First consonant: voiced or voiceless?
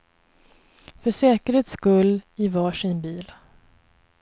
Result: voiceless